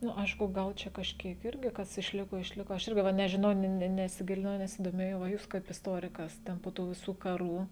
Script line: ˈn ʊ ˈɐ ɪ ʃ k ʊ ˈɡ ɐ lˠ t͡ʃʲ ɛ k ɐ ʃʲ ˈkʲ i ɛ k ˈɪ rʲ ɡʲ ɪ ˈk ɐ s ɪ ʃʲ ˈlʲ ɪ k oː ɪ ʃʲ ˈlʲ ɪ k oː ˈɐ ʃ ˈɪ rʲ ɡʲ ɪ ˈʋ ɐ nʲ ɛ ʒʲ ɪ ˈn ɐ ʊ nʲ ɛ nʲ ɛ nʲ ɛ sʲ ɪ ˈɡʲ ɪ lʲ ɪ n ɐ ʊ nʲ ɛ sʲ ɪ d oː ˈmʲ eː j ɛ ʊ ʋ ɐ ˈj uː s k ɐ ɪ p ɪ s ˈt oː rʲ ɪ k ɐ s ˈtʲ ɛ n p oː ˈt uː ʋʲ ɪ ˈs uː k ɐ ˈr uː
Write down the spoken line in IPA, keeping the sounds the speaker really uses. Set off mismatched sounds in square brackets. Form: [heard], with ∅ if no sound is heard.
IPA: ˈn ʊ ˈɐ ɪ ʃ k ʊ ˈɡ ɐ lˠ t͡ʃʲ ɛ k ɐ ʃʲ ˈkʲ i ɛ k ˈɪ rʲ ɡʲ ɪ ˈk ɐ s ɪ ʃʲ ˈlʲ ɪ k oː ɪ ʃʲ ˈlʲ ɪ k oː ˈɐ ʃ ˈɪ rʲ ɡʲ ɪ ˈʋ ɐ nʲ ɛ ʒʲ ɪ ˈn ɐ ʊ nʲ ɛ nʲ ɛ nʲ ɛ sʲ ɪ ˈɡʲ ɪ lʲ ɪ n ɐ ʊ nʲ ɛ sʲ ɪ d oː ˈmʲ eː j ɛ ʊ ʋ ɐ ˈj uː s k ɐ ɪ p ɪ s ˈt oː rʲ ɪ k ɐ s ˈtʲ ɛ n p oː ˈt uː ʋʲ ɪ ˈs uː k ɐ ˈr uː